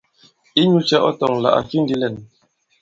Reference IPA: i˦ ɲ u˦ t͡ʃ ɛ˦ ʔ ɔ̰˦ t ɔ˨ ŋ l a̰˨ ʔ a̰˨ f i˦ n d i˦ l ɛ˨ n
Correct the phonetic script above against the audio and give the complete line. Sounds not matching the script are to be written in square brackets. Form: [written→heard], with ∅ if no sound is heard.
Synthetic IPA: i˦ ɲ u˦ t͡ʃ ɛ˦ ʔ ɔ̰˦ t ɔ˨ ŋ l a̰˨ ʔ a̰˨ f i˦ n d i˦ l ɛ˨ n